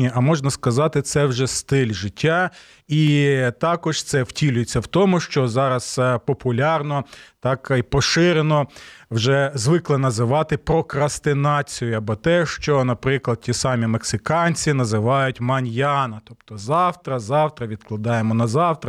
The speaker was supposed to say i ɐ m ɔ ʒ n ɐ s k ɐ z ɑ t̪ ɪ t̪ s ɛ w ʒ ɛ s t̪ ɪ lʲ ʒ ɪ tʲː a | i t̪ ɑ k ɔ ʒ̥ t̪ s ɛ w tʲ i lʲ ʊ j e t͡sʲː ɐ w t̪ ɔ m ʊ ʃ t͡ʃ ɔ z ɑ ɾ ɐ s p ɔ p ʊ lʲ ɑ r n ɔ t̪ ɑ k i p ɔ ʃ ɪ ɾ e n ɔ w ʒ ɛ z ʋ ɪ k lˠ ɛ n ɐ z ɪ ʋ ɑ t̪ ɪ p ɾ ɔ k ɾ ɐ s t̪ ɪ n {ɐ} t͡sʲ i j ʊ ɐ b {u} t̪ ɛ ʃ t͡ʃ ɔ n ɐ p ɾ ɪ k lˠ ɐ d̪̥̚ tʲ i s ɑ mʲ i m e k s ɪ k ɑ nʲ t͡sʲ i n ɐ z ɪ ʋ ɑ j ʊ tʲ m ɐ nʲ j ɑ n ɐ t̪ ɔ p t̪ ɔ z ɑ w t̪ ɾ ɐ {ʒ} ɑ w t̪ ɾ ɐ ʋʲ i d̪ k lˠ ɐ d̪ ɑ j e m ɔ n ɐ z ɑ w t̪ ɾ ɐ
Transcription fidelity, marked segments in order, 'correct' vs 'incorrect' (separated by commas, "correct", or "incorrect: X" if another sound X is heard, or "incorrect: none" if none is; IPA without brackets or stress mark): incorrect: ɑ, incorrect: ɔ, incorrect: z